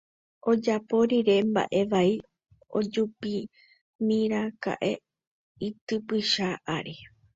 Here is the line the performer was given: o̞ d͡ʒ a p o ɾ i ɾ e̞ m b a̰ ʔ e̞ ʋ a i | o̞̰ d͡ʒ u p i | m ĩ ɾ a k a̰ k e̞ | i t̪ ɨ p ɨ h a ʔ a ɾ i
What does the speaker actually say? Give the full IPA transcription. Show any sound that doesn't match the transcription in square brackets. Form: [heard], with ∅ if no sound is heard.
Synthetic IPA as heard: o̞ d͡ʒ a p o ɾ i ɾ e̞ m b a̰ ʔ e̞ ʋ a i | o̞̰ d͡ʒ u p i | m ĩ ɾ a k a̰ [ʔ] e̞ | i t̪ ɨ p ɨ [ʃ] a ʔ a ɾ i